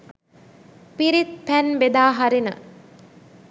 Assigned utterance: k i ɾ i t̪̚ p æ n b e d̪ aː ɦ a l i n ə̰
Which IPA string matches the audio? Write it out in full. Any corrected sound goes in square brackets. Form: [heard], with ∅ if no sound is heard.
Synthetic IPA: [p] i ɾ i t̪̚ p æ n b e d̪ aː ɦ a [ɾ] i n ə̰